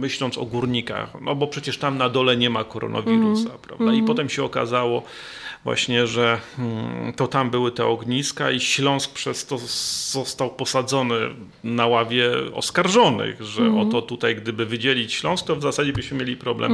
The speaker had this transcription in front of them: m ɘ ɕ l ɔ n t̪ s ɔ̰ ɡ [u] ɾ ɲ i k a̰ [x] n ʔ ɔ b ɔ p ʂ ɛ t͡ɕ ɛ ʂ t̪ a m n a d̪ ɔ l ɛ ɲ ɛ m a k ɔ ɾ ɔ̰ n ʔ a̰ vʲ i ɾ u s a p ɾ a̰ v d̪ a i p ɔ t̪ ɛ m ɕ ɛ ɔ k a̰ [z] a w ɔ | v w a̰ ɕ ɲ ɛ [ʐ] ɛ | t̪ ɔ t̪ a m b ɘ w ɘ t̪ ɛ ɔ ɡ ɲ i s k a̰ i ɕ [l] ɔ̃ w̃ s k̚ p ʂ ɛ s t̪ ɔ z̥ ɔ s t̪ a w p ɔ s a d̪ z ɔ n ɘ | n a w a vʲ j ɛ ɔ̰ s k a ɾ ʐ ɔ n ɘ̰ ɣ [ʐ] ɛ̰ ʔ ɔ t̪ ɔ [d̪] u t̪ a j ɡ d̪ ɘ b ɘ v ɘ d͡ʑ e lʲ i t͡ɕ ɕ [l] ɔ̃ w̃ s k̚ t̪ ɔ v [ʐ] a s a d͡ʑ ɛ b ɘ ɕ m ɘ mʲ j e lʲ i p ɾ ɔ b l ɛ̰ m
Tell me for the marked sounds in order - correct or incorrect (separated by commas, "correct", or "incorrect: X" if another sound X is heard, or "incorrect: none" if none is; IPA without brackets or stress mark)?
correct, correct, correct, correct, correct, correct, incorrect: t̪, correct, incorrect: z